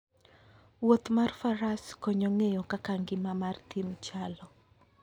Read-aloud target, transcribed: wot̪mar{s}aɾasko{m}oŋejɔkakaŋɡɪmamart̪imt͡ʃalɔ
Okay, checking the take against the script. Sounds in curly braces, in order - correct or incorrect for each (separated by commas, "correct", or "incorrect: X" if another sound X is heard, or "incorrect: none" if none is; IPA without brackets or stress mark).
incorrect: f, incorrect: ɲ